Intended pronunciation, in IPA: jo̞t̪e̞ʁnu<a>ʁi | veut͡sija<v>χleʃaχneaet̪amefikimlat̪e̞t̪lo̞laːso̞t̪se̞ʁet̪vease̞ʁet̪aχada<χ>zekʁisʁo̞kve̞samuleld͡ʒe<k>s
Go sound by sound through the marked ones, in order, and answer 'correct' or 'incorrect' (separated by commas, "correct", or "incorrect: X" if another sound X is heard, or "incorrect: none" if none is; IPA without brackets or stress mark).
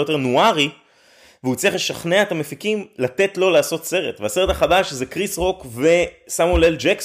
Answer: correct, incorrect: none, incorrect: ʃ, correct